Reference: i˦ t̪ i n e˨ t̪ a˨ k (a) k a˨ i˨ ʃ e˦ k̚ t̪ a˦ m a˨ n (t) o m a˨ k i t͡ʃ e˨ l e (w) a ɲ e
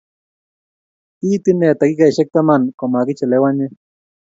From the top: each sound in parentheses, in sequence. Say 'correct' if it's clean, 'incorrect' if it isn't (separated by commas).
incorrect, incorrect, correct